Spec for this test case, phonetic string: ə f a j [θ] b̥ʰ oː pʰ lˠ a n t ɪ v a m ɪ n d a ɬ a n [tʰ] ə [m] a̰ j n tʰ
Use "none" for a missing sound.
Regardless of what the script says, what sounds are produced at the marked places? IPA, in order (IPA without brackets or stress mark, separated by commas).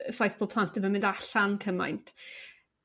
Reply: θ, kʰ, m